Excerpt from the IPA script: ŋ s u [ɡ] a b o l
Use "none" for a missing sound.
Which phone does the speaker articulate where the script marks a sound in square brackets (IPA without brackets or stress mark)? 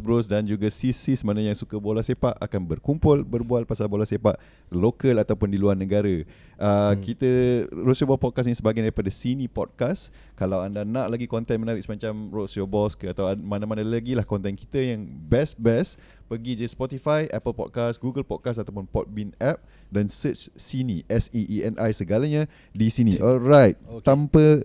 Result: k